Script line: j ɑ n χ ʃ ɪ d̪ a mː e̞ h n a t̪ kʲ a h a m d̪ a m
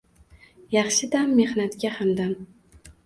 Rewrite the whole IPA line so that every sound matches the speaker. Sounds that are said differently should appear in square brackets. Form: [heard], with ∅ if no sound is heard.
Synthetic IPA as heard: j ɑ [∅] χ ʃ ɪ d̪ a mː e̞ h n a t̪ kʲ a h a m d̪ a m